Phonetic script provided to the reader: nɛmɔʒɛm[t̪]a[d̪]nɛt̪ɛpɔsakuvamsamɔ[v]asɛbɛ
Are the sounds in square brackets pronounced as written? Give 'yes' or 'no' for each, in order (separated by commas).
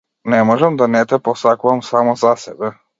no, no, no